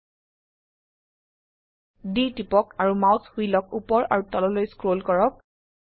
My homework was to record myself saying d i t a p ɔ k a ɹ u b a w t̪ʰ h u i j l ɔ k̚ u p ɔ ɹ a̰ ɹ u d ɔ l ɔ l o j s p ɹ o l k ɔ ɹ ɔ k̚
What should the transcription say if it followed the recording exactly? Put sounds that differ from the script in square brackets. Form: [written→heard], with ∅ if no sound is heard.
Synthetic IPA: d i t [a→i] p ɔ k a ɹ u [b→m] a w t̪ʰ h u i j l ɔ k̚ u p ɔ ɹ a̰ ɹ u [d→t] ɔ l ɔ l o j s [p→k] ɹ o l k ɔ ɹ ɔ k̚